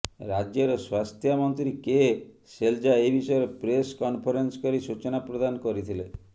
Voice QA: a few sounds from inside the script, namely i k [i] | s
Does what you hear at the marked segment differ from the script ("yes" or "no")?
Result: yes